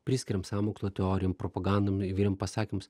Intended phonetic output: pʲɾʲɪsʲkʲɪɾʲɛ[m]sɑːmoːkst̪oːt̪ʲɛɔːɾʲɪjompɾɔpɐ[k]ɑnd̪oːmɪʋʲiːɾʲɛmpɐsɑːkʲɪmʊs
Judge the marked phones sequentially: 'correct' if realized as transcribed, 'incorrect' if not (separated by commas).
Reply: correct, incorrect